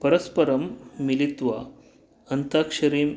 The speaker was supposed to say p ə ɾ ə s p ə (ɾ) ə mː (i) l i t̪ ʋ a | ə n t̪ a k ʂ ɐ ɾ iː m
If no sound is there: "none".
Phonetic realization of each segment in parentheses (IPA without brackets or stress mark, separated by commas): ɾ, i